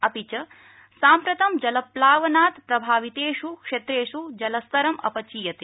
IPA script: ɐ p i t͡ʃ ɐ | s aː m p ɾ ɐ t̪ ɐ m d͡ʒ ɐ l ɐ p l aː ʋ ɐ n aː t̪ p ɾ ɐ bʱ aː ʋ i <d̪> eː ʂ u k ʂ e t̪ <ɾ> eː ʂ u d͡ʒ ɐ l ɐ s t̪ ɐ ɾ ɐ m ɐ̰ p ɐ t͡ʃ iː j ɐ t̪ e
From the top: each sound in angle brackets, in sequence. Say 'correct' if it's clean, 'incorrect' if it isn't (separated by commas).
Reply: incorrect, correct